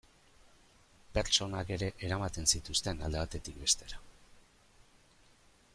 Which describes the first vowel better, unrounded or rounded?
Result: unrounded